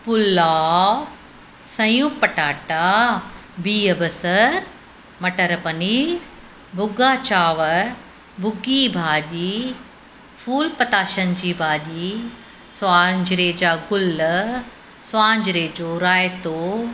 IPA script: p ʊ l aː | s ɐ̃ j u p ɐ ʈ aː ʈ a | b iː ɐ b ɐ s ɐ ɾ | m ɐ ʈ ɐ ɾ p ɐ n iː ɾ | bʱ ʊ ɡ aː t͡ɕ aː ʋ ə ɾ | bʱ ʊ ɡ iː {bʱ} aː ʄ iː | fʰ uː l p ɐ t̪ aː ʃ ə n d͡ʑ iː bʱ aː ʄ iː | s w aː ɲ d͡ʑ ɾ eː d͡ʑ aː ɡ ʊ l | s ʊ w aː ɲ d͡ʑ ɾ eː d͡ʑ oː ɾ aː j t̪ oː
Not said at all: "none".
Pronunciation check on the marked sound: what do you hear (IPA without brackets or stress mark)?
bʱ